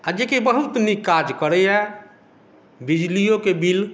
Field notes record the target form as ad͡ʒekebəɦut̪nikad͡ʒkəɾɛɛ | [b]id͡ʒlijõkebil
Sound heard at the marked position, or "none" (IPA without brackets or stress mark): b